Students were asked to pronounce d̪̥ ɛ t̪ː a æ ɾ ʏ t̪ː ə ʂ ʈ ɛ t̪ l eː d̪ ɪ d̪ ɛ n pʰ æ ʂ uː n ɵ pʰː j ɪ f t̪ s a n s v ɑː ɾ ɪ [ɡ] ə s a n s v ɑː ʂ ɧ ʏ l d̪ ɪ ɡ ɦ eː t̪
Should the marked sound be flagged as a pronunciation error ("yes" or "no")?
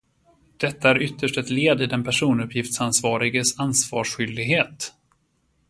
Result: no